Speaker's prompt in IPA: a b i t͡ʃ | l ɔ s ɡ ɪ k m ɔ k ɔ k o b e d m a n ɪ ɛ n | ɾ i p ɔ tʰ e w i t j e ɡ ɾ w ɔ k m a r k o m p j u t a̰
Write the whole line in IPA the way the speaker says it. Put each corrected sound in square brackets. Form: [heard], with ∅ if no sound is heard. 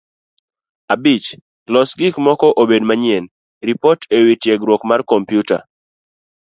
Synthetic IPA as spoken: a b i t͡ʃ | l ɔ s ɡ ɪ k m ɔ k ɔ [ʔ] o b e d m a [ɲ] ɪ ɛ n | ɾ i p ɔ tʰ e w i t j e ɡ ɾ w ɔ k m a r k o m p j u t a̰